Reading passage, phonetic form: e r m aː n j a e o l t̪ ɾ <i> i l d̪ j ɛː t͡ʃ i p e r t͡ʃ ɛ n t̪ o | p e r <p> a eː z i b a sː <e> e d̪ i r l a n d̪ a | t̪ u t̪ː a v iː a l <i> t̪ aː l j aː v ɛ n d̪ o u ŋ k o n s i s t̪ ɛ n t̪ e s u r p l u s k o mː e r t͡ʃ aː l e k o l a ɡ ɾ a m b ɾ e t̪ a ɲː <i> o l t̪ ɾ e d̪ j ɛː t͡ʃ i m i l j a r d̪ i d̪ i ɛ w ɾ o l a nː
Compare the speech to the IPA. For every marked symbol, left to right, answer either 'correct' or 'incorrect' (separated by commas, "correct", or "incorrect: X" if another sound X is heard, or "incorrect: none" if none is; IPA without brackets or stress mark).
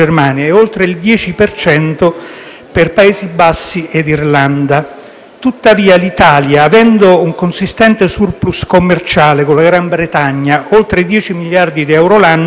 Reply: incorrect: e, correct, incorrect: i, correct, incorrect: a